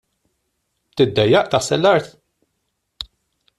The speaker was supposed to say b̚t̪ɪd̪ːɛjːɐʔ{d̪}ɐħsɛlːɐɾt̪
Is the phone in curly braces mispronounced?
yes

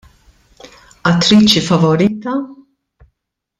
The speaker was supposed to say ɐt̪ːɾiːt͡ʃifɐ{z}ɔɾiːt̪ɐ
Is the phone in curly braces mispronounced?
yes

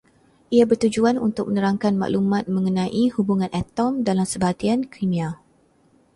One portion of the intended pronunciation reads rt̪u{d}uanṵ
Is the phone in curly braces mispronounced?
yes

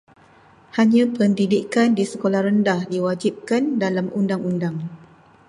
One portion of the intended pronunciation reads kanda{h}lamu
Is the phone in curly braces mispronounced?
yes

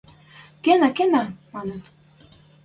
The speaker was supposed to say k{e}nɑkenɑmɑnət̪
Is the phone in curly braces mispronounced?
no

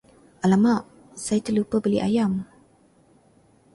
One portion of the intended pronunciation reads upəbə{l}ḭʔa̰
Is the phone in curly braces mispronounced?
no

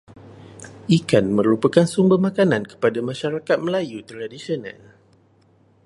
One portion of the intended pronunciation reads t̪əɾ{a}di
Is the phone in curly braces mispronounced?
no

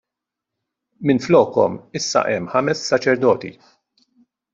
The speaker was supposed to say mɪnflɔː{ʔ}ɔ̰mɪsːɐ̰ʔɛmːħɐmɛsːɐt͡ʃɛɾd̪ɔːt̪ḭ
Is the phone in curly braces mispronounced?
yes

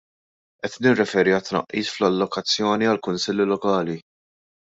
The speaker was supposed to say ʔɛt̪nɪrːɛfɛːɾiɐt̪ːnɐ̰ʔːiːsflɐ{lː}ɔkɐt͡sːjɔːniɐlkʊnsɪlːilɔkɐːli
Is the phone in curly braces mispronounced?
no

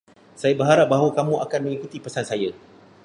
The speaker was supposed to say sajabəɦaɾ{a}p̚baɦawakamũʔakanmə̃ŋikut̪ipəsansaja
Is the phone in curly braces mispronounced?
no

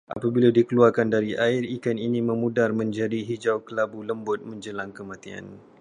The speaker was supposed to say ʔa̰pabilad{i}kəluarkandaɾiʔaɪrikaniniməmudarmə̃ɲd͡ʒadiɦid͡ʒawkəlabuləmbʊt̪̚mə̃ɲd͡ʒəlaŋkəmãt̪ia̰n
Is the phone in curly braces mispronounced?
no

